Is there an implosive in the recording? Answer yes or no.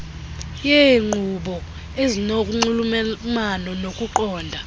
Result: yes